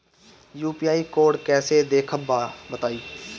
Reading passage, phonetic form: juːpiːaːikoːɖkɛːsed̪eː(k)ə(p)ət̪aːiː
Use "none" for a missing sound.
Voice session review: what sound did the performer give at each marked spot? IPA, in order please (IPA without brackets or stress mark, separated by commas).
kʰ, b